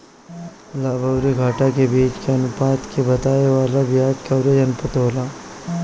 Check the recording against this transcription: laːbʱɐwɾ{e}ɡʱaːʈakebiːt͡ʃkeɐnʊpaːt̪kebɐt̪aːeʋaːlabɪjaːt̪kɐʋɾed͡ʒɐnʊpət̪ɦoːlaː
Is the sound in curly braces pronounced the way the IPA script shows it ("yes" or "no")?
no